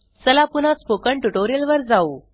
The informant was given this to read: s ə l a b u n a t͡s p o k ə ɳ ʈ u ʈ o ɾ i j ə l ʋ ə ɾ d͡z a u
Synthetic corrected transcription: s ə l a p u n a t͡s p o k ə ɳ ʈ u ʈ o ɾ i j ə l ʋ ə ɾ d͡z a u